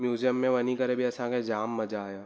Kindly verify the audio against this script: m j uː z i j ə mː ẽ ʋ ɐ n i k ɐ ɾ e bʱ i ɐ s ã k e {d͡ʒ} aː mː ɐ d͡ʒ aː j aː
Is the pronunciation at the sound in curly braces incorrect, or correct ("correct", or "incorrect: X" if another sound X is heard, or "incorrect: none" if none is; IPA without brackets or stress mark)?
correct